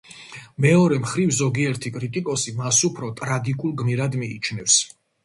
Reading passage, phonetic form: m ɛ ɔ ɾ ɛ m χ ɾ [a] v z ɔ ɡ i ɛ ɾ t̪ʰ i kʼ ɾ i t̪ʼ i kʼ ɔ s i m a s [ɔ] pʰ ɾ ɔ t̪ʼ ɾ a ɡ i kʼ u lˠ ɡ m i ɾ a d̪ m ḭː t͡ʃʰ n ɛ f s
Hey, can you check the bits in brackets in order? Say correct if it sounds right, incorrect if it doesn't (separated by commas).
incorrect, incorrect